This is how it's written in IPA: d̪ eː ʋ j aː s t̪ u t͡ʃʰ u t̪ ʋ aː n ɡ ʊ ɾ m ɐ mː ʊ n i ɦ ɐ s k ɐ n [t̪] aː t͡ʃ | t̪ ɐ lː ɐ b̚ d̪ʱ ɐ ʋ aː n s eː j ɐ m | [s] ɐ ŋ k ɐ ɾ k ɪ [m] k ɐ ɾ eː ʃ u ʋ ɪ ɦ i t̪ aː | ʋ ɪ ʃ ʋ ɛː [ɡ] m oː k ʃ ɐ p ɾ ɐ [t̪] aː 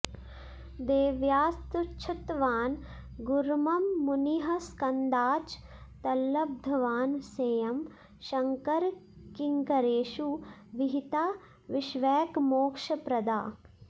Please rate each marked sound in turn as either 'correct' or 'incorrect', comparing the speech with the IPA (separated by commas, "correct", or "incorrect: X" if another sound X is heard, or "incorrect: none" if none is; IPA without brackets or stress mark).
incorrect: d̪, incorrect: ʃ, incorrect: ŋ, incorrect: k, incorrect: d̪